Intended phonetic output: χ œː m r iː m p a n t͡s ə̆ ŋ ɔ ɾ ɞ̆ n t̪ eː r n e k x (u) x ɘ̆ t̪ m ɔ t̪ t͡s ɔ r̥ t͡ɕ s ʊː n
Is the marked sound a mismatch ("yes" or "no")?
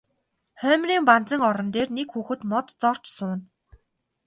yes